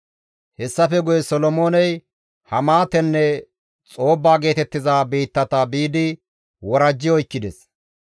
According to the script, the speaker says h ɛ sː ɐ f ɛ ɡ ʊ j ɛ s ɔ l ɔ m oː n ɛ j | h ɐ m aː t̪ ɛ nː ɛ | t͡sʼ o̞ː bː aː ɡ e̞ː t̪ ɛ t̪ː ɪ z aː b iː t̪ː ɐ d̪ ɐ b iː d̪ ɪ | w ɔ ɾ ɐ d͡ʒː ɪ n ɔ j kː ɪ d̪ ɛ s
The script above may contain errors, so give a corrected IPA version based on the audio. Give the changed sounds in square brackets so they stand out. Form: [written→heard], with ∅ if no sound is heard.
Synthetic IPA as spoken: h ɛ sː ɐ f ɛ ɡ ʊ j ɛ s ɔ l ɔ m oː n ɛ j | h ɐ m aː t̪ ɛ nː ɛ | t͡sʼ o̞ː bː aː ɡ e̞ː t̪ ɛ t̪ː ɪ z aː b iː t̪ː ɐ [d̪→t̪] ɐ b iː d̪ ɪ | w ɔ ɾ ɐ d͡ʒː ɪ [n→∅] ɔ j kː ɪ d̪ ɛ s